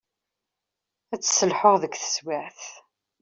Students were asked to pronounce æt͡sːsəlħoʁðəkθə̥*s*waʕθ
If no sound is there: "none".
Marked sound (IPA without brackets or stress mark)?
s